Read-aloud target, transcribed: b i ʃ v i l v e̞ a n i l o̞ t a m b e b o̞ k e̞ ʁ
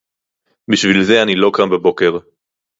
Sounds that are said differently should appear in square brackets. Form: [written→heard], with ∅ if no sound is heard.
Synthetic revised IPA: b i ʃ v i l [v→z] e̞ a n i l o̞ [t→k] a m b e b o̞ k e̞ ʁ